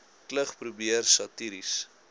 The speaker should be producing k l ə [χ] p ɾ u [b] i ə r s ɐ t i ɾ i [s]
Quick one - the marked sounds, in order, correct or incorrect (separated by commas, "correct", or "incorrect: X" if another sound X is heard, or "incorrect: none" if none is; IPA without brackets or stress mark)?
correct, correct, correct